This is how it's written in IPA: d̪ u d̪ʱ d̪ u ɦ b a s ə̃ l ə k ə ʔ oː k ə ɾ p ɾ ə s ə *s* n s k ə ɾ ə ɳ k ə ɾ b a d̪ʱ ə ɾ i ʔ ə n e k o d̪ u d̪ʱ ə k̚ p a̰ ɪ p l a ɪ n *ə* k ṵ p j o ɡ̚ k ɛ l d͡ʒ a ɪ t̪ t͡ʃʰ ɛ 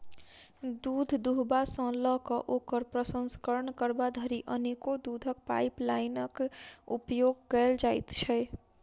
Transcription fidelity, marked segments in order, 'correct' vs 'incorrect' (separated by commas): incorrect, correct